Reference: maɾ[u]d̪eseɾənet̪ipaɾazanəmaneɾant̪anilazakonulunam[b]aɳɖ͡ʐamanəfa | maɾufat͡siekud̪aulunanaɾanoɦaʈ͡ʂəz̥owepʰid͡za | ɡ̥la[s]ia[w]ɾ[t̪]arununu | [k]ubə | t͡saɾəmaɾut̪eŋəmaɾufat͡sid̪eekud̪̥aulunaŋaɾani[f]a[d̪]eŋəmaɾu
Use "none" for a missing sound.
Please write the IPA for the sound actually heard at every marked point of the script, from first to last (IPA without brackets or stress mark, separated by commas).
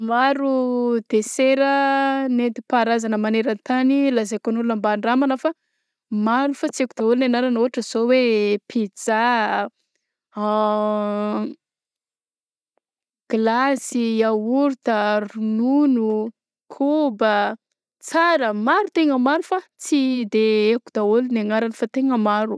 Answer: u, b, s, u, t̪, kʰ, f, t̪